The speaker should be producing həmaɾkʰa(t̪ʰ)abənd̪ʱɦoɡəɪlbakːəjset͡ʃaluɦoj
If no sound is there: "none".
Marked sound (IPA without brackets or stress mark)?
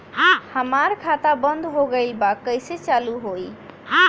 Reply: t̪